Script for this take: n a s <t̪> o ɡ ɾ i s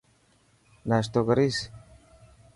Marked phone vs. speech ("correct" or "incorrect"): correct